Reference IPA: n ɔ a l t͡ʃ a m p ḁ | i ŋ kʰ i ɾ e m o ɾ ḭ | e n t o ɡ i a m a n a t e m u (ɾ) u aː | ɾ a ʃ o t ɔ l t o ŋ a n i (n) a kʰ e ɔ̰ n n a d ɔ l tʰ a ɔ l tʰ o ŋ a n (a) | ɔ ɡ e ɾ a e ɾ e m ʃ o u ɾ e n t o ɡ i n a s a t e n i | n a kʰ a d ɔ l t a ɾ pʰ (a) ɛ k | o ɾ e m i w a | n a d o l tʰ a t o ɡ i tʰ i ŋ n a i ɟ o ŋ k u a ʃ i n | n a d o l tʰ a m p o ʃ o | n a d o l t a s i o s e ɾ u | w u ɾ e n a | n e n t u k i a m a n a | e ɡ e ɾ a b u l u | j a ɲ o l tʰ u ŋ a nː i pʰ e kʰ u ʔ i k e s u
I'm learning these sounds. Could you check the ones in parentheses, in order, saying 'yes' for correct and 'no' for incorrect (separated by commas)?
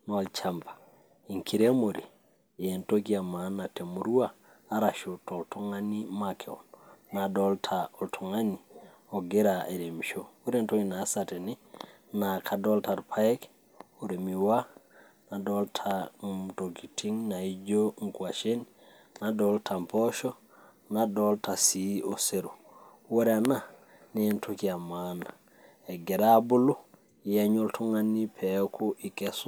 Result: yes, no, no, yes